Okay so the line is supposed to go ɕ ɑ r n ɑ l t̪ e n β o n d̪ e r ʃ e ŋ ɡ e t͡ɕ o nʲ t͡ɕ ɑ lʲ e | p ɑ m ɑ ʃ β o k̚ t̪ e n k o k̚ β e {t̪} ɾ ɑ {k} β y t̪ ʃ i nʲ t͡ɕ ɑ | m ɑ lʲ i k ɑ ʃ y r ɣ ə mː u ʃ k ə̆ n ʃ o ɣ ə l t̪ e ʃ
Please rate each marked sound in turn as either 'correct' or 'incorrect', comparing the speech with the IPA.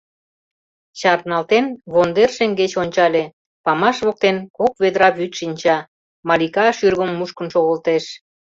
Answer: incorrect, incorrect

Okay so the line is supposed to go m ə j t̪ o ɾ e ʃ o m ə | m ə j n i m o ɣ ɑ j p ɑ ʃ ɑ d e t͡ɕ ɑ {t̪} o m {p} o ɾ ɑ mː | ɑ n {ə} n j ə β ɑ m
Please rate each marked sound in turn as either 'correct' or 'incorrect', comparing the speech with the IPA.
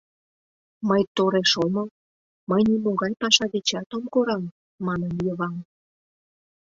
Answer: correct, incorrect, correct

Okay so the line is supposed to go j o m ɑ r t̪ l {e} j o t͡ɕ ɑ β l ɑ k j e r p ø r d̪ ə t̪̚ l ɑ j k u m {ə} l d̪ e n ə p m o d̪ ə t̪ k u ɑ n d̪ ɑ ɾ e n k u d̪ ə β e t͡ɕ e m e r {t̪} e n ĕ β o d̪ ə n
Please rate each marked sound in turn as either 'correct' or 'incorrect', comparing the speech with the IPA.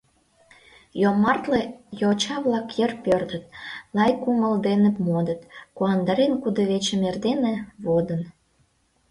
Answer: correct, correct, incorrect

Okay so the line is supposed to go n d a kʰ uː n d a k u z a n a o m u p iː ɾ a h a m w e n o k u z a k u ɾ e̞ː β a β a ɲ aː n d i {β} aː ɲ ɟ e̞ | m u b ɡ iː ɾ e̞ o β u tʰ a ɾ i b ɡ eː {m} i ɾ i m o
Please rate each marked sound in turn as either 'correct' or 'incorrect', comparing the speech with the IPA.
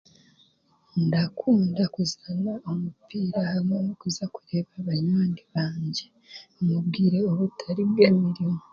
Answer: correct, correct

